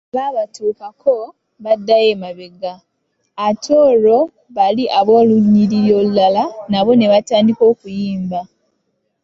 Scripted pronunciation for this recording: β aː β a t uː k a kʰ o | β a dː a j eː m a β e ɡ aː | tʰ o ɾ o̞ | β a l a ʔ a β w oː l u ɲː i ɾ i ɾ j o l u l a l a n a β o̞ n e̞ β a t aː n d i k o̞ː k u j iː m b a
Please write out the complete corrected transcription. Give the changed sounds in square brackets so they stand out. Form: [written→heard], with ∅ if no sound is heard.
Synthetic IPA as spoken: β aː β a t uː k a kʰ o | β a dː a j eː m a β e ɡ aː | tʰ o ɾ o̞ | β a l [a→i] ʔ a β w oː l u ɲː i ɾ i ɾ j o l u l a l a n a β o̞ n e̞ β a t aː n d i k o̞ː k u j iː m b a